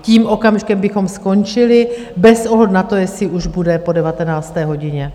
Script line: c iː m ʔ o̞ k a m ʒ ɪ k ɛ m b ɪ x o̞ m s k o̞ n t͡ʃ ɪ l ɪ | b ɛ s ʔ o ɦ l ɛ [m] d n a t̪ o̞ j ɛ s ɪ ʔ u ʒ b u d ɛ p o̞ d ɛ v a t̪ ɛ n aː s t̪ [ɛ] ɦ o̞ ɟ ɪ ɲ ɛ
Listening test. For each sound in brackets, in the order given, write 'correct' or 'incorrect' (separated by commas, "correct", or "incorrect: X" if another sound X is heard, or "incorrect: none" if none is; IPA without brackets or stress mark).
incorrect: none, incorrect: ɛː